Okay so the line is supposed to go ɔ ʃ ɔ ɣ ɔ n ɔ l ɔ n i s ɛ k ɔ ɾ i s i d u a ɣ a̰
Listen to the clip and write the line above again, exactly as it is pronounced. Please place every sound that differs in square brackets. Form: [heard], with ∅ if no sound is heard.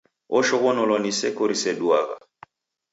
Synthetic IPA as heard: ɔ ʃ ɔ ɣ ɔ n ɔ l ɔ n i s ɛ k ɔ ɾ i s [ɛ] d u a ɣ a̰